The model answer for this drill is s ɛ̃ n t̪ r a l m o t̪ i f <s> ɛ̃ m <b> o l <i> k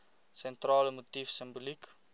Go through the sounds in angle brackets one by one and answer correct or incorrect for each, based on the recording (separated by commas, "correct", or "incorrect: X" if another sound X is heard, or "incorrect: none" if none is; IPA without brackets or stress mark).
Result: correct, correct, correct